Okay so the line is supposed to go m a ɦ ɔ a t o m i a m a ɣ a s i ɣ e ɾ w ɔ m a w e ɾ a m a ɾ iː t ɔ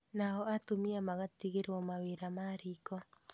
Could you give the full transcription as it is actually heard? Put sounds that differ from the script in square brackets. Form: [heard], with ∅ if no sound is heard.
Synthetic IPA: [n] a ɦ ɔ a t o m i a m a ɣ a [t] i ɣ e ɾ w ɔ m a w e ɾ a m a ɾ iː [k] ɔ

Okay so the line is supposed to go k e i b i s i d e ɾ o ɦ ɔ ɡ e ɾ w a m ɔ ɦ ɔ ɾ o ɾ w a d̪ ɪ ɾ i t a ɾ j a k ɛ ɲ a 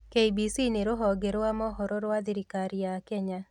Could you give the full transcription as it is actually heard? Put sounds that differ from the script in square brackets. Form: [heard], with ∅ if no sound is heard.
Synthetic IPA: k e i b i s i [n] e ɾ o ɦ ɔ ɡ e ɾ w a m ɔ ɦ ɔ ɾ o ɾ w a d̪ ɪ ɾ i [k] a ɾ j a k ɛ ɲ a

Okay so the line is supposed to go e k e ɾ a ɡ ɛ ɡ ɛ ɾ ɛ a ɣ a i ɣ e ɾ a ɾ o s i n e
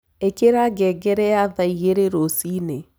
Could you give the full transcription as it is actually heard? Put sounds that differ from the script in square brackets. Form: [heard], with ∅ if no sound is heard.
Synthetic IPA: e k e ɾ a ɡ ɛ ɡ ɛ ɾ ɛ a [ð] a i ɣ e ɾ [e] ɾ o s i n e

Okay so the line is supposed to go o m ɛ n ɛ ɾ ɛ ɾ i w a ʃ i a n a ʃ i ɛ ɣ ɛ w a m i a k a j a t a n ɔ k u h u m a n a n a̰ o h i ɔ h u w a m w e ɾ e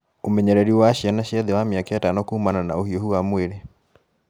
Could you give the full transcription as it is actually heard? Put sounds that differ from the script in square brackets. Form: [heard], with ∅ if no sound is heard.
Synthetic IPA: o m ɛ [ɲ] ɛ ɾ ɛ ɾ i w a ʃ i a n a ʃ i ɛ [ð] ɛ w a m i a k a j a t a n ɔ k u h u m a n a n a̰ o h i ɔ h u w a m w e ɾ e

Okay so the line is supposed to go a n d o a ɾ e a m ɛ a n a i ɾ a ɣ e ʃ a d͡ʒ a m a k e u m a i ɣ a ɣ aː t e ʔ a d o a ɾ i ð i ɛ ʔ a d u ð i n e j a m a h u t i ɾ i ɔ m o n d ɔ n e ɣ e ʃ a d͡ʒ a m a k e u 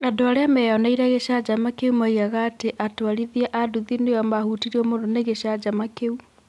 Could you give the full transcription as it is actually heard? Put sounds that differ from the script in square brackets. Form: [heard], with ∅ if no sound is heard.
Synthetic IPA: a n d o a ɾ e a m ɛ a n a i ɾ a ɣ e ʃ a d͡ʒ a m a k e u m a i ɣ a ɣ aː t e ʔ a [t] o a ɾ i ð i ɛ ʔ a d u ð i n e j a m a h u t i ɾ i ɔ m o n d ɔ n e ɣ e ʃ a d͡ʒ a m a k e u

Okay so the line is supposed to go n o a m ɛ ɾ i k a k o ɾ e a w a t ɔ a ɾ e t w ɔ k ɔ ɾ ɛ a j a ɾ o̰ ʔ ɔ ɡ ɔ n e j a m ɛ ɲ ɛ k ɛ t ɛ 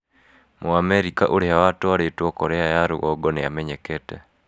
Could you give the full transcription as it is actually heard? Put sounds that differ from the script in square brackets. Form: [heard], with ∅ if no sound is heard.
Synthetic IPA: [m] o a m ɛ ɾ i k a [ʔ] o ɾ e a w a t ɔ a ɾ e t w ɔ k ɔ ɾ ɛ a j a ɾ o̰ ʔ ɔ ɡ ɔ n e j a m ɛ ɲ ɛ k ɛ t ɛ

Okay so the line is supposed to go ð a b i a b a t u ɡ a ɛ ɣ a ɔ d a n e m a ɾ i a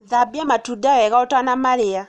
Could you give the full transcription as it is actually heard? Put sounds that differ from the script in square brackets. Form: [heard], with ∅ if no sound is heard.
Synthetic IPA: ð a b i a [m] a t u [d] a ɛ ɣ a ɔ [t] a n [a] m a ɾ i a

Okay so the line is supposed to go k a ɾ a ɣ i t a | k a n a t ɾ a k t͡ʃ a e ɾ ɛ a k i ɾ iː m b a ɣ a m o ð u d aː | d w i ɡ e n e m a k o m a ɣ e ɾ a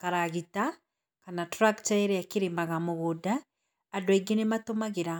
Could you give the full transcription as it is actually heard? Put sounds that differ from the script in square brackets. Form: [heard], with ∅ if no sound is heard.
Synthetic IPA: k a ɾ a ɣ i t a | k a n a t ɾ a k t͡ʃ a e ɾ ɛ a k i ɾ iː m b a ɣ a m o [ɣ] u d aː | d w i ɡ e n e m a [t] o m a ɣ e ɾ a

